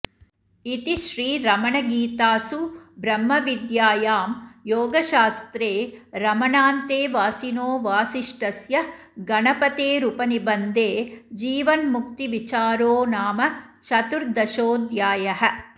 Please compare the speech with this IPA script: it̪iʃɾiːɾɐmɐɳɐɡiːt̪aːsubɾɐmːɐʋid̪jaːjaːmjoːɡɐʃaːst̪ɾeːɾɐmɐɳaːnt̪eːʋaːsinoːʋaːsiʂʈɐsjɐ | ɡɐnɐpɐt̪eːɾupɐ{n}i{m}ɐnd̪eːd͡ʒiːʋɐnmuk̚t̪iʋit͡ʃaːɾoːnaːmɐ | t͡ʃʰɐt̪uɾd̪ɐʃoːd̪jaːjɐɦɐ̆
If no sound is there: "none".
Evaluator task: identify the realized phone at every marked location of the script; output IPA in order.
n, b

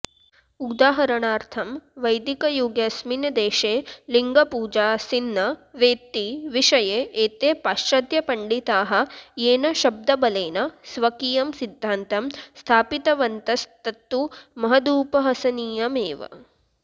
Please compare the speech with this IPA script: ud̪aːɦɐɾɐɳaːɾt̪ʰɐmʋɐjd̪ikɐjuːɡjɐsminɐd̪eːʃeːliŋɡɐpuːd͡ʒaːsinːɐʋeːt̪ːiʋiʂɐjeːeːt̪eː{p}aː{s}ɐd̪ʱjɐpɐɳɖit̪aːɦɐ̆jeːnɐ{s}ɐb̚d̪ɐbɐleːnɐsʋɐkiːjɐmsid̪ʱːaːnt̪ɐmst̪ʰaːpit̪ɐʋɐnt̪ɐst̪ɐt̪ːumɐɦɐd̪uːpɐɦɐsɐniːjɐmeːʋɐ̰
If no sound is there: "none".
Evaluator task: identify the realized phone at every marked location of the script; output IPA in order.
p, ʃ, ʃ

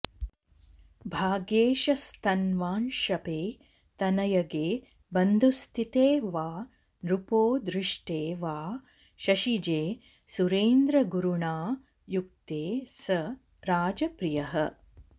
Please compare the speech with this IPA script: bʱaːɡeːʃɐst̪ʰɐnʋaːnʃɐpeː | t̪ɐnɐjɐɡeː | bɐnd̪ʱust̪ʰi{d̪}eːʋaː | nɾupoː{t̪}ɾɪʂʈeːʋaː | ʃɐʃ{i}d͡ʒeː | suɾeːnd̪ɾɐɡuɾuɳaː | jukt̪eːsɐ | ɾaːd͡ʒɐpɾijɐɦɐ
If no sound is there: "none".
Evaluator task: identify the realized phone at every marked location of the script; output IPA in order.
t̪, d̪, i

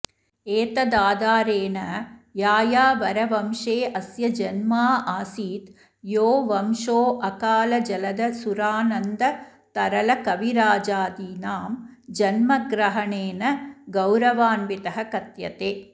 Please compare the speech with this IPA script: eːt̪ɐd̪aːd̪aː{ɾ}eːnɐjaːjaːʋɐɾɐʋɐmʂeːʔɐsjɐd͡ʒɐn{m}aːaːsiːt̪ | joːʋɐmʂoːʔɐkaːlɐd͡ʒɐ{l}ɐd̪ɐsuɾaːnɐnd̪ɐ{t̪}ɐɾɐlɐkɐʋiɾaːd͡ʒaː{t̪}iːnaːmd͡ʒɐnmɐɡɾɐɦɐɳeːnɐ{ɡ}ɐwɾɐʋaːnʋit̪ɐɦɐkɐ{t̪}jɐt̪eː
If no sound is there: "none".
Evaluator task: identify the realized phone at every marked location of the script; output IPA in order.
ɾ, m, l, t̪, d̪, ɡ, t̪

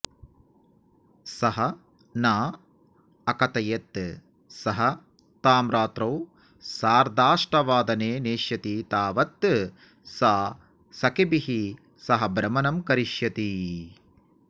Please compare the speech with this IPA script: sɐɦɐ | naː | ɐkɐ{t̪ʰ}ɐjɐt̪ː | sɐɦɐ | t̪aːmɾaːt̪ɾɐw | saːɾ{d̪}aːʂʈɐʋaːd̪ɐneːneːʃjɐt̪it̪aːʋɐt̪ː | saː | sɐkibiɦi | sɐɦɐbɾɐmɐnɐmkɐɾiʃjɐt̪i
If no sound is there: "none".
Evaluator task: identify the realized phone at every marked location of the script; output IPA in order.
t̪, d̪

